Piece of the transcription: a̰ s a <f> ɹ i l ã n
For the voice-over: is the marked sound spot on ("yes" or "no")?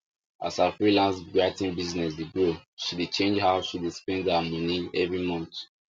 yes